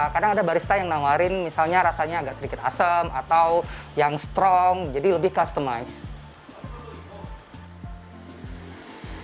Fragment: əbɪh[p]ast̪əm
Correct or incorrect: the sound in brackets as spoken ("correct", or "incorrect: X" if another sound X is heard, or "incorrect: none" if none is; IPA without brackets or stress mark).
incorrect: k